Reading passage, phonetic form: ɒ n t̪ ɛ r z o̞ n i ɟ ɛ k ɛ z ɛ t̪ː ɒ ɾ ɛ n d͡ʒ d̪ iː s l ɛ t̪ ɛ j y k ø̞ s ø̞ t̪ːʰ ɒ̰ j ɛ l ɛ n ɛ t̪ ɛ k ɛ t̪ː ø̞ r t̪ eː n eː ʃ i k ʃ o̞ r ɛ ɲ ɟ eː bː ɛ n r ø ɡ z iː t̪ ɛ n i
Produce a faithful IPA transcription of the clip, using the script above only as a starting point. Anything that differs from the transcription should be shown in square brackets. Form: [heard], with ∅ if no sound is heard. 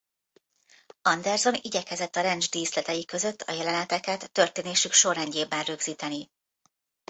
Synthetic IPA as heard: ɒ n [d̪] ɛ r z o̞ n i ɟ ɛ k ɛ z ɛ t̪ː ɒ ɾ ɛ n d͡ʒ d̪ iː s l ɛ t̪ ɛ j [i] k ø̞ [z] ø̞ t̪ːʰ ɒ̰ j ɛ l ɛ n ɛ t̪ ɛ k ɛ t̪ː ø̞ r t̪ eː n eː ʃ [y] k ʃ o̞ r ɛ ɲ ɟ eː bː ɛ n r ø ɡ z iː t̪ ɛ n i